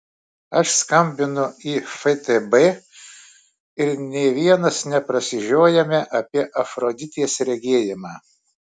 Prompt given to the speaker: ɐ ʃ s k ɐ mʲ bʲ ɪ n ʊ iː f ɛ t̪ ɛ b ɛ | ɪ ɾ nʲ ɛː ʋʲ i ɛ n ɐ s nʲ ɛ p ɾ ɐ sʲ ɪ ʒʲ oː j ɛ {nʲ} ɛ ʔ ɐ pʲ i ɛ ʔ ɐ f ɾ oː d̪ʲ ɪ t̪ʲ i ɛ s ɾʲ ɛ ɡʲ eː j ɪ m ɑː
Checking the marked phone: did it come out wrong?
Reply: yes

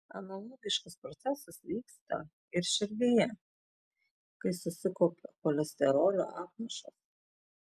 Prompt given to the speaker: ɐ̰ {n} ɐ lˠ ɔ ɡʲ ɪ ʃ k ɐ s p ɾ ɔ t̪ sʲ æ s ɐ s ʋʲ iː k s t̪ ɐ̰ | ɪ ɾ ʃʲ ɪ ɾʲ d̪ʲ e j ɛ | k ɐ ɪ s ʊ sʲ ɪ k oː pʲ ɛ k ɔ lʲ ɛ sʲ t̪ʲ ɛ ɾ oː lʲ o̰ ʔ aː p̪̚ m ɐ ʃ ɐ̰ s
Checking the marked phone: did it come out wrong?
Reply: no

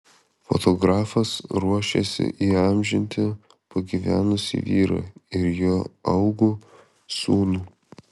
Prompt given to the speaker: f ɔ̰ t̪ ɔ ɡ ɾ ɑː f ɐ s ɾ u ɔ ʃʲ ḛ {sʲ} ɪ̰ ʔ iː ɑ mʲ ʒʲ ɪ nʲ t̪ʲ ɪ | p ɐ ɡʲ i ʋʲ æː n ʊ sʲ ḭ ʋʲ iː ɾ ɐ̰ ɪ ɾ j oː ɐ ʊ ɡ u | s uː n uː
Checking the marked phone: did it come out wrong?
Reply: no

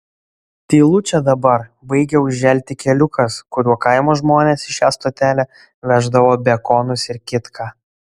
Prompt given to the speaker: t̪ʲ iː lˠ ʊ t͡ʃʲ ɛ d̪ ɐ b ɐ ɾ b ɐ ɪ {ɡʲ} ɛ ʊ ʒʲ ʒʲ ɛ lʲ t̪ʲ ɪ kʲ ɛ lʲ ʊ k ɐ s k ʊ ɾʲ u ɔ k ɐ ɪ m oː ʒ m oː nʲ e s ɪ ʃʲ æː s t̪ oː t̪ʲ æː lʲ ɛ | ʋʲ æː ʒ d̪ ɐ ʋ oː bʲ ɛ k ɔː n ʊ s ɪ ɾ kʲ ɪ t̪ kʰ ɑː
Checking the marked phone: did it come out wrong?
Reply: no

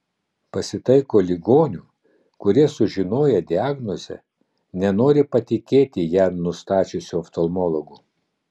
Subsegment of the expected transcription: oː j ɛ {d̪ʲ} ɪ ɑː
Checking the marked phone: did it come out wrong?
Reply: no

